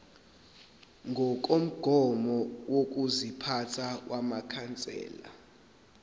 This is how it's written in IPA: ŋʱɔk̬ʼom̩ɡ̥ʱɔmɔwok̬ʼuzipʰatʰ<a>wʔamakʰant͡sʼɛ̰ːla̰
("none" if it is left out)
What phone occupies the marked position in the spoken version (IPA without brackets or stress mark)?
a